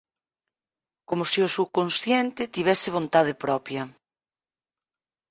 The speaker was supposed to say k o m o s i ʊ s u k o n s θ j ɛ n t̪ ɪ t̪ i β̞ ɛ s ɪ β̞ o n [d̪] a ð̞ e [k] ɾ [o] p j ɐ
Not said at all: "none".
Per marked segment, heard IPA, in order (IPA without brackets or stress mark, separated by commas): t̪, p, ɔ